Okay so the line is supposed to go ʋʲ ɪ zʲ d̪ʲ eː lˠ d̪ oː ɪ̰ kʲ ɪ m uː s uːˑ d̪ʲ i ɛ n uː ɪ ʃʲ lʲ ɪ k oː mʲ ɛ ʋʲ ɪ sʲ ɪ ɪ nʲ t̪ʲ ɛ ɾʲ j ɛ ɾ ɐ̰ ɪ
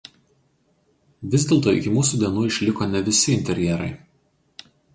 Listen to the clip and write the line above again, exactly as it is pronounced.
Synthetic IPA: ʋʲ ɪ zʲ d̪ʲ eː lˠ t̪ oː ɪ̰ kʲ ɪ m uː s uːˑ d̪ʲ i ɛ n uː ɪ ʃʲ lʲ ɪ k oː nʲ ɛ ʋʲ ɪ sʲ ɪ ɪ nʲ t̪ʲ ɛ ɾʲ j ɛ ɾ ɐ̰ ɪ